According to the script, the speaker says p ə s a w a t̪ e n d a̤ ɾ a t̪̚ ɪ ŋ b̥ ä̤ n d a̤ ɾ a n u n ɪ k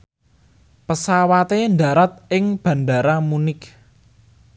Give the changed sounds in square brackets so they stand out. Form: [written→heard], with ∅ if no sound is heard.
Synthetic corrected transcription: p ə s a w a t̪ e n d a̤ ɾ a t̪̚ ɪ ŋ b̥ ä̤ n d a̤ ɾ a [n→m] u n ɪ k

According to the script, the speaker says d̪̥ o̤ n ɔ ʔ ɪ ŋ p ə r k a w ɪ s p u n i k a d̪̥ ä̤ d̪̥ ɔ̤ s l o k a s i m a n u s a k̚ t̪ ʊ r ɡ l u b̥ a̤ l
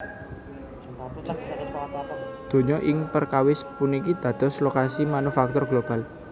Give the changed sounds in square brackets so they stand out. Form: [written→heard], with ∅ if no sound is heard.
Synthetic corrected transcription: d̪̥ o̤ [n→ɲ] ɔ ʔ ɪ ŋ p ə r k a w ɪ s p u n i k [a→i] d̪̥ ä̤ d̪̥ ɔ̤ s l o k a s i m a n u [s→f] a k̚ t̪ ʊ r ɡ l [u→o] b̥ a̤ l

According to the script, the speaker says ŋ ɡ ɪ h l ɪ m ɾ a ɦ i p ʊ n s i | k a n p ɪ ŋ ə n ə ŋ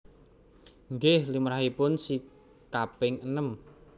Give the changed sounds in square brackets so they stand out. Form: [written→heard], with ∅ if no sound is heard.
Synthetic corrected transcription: ŋ ɡ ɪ h l [ɪ→i] m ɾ a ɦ i p ʊ n s i | k a [n→∅] p ɪ ŋ ə n ə [ŋ→m]

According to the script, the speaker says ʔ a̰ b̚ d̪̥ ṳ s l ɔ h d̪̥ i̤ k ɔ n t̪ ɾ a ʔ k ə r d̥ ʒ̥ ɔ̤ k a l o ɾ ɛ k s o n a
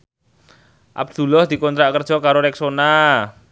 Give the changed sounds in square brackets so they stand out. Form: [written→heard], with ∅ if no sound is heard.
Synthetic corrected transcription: ʔ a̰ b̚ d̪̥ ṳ [s→∅] l ɔ h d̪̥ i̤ k ɔ n t̪ ɾ a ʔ k ə r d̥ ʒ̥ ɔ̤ k a [l→ɾ] o ɾ ɛ k s o n a

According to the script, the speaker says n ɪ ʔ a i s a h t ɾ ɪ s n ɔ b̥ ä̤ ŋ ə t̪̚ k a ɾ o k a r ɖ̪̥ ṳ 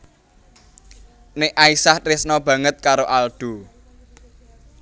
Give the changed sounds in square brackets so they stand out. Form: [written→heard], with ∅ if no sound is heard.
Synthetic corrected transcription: n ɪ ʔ a i s a h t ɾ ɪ s n ɔ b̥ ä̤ ŋ ə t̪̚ k a ɾ o [k→ʔ] a [r→l] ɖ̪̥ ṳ

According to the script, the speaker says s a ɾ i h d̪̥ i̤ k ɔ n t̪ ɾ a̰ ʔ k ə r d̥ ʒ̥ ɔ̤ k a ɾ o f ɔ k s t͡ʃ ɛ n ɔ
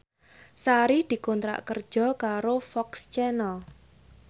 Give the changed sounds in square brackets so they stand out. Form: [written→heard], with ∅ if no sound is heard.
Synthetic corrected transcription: s a ɾ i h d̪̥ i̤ k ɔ n t̪ ɾ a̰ ʔ k ə r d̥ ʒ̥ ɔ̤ k a ɾ o f ɔ k s t͡ʃ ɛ n ɔ

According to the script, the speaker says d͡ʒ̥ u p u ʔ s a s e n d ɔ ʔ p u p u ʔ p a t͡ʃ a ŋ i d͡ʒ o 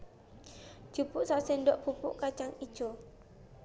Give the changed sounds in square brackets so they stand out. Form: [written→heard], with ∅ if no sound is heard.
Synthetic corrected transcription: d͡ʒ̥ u p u ʔ s a s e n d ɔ ʔ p u p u ʔ [p→k] a t͡ʃ a ŋ i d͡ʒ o

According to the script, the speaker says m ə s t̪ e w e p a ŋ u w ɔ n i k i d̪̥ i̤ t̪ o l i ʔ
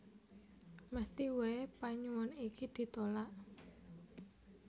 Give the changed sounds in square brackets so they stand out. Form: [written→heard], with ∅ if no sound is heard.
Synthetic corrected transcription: m ə s t̪ [e→i] w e p a [ŋ→ɲ] u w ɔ n i k i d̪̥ i̤ t̪ o l [i→a] ʔ

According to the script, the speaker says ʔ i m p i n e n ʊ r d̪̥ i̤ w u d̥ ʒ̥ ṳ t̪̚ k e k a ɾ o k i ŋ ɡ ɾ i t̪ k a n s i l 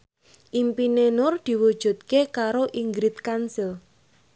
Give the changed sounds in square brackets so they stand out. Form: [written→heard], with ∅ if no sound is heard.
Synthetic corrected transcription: ʔ i m p i n e n ʊ r d̪̥ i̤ w u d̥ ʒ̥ ṳ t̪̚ k e k a ɾ o [k→ʔ] i ŋ ɡ ɾ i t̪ k a n s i l

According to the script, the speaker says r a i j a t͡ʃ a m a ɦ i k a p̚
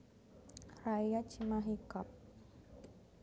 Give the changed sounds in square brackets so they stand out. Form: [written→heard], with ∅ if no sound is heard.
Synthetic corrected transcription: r a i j a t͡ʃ [a→i] m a ɦ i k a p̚

